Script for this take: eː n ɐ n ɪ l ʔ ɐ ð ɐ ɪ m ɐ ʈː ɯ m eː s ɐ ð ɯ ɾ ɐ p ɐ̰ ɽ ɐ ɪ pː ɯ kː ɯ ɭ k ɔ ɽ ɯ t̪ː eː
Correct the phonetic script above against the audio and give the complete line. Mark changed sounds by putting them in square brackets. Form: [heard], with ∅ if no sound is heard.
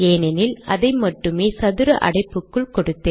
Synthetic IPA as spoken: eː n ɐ n ɪ l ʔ ɐ ð ɐ ɪ m ɐ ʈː ɯ m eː s ɐ ð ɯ ɾ ɐ [ʔ] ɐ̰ ɽ ɐ ɪ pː ɯ kː ɯ ɭ k ɔ ɽ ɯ t̪ː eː